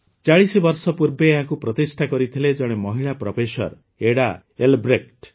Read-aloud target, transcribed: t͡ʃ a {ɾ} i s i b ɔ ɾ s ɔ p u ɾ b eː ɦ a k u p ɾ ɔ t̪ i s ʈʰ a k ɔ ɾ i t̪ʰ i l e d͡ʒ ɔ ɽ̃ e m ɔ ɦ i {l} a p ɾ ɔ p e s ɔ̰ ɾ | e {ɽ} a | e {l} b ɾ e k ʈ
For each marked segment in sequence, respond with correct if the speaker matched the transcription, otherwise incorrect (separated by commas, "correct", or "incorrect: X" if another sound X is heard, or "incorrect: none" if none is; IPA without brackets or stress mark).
incorrect: ɭ, incorrect: ɭ, correct, correct